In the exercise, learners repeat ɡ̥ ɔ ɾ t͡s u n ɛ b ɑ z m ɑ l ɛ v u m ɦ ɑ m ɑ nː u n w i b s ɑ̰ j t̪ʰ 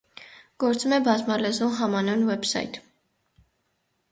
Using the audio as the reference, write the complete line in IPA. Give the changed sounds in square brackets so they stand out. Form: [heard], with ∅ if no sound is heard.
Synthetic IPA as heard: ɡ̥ ɔ ɾ t͡s u [m] ɛ b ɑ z m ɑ l ɛ [z] u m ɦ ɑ m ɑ [n] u n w [ɛ] b s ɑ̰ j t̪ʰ